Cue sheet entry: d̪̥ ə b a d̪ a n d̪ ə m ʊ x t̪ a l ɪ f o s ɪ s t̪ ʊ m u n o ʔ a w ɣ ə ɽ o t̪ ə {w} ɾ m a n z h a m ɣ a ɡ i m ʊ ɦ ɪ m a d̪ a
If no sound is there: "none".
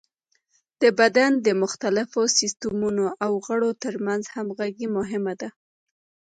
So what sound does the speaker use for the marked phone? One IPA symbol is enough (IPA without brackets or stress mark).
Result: none